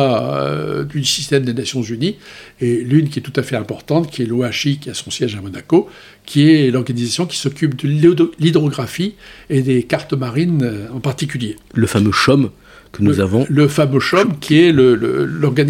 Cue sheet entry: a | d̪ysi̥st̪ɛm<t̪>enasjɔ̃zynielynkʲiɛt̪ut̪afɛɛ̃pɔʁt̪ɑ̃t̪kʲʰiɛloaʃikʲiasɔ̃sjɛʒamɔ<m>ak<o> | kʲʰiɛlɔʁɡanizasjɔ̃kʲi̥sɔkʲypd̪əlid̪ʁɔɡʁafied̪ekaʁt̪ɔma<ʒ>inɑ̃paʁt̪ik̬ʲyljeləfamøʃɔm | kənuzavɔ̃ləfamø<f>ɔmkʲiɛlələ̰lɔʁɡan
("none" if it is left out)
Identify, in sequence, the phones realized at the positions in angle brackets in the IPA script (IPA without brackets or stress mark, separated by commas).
d̪, n, o, ʁ, ʃ